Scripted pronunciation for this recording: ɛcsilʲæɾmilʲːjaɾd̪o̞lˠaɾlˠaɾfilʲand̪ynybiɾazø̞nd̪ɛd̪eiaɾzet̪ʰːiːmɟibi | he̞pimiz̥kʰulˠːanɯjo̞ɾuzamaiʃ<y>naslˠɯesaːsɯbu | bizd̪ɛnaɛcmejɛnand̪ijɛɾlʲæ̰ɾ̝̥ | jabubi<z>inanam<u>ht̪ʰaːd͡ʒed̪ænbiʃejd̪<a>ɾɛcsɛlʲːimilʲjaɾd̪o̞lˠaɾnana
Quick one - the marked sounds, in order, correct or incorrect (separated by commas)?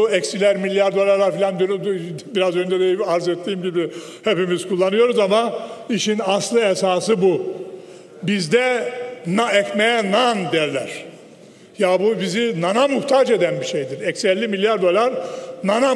incorrect, correct, correct, incorrect